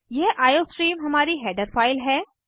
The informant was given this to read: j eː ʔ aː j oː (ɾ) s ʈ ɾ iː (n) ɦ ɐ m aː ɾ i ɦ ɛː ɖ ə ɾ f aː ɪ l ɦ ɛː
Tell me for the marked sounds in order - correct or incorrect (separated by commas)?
incorrect, incorrect